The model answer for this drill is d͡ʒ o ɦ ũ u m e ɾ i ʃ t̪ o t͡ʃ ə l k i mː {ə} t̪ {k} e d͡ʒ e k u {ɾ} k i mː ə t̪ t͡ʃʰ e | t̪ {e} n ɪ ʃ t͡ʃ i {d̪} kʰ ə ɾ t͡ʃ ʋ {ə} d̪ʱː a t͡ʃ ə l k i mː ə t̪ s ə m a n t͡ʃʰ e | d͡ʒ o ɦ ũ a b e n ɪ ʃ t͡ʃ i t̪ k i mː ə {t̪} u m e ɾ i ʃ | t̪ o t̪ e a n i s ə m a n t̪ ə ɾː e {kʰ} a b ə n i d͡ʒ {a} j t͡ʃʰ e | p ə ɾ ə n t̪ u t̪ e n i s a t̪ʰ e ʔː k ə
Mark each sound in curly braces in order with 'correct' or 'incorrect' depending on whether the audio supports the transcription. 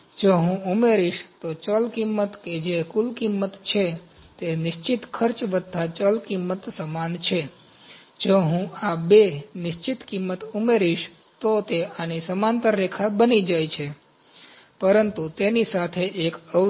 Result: correct, correct, incorrect, correct, incorrect, correct, correct, correct, correct

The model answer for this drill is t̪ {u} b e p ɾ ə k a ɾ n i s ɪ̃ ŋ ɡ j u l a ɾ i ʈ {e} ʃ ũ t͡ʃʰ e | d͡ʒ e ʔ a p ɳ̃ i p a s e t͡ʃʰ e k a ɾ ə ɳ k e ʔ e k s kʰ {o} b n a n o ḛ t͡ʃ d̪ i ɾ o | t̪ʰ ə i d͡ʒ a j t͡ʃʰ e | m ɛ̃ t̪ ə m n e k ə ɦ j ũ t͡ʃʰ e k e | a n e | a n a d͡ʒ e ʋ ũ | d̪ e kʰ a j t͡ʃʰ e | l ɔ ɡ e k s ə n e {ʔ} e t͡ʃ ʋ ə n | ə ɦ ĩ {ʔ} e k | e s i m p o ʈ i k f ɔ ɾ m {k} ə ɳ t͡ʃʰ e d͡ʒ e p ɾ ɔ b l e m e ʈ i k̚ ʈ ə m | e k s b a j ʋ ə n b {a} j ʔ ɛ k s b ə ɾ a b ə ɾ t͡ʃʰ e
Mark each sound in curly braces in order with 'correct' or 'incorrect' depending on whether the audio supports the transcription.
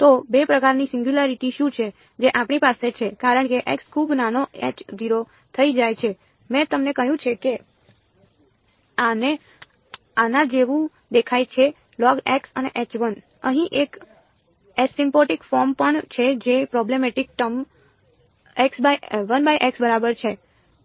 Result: incorrect, incorrect, incorrect, correct, correct, incorrect, correct

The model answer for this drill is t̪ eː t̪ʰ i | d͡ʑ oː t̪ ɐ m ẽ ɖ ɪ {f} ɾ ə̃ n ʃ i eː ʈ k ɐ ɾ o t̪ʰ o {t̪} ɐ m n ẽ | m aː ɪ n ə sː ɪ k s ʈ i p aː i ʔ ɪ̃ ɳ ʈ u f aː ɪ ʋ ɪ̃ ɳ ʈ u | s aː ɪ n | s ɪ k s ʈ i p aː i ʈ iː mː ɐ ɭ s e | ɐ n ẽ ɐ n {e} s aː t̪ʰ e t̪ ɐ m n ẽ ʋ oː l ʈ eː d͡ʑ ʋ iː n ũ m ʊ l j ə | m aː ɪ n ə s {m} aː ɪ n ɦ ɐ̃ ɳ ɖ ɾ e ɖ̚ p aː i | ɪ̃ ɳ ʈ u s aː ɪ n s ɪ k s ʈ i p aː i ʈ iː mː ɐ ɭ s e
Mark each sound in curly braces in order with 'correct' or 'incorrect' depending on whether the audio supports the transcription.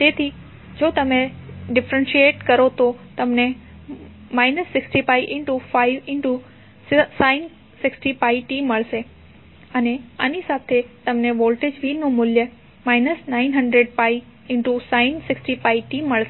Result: correct, correct, incorrect, incorrect

